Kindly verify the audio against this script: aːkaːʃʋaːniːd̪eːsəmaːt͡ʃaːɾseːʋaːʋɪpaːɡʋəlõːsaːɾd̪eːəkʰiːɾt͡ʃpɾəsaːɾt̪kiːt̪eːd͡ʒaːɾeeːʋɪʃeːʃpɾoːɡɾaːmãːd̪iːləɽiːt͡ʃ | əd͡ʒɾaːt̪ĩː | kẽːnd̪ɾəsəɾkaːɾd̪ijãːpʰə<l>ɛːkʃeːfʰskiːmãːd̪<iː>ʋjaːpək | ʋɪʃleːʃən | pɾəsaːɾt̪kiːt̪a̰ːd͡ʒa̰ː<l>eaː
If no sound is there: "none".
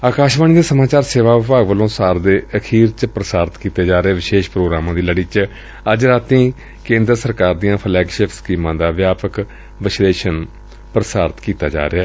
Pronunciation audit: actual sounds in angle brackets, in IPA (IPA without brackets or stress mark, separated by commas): l, aː, ɾ